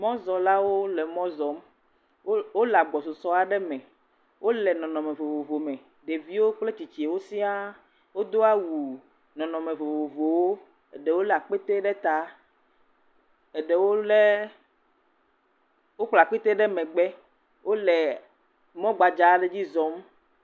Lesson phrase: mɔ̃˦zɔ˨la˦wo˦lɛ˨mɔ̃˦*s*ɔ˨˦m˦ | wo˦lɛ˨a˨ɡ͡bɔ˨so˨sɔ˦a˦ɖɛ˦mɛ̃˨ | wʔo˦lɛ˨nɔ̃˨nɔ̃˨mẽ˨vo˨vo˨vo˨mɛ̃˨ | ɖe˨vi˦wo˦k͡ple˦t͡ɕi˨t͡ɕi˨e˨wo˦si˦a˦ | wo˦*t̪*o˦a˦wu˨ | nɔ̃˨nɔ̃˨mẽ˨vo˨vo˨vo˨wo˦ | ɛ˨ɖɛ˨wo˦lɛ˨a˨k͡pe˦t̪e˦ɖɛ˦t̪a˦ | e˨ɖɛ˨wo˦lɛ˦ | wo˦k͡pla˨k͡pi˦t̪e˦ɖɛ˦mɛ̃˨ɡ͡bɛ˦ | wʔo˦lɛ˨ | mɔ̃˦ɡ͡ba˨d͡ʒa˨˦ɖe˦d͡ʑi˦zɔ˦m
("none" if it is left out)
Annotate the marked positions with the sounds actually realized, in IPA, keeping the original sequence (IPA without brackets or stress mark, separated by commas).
z, d̪